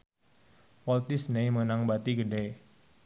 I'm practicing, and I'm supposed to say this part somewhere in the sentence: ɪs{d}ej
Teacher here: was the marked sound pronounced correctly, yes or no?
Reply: no